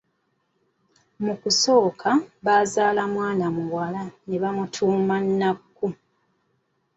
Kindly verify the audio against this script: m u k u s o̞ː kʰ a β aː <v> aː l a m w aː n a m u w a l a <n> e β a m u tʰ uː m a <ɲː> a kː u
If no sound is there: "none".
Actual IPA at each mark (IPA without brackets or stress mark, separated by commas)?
z, n, nː